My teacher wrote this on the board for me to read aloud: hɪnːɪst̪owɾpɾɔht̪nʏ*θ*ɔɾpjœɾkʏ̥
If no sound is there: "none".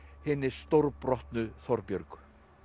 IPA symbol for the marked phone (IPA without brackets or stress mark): θ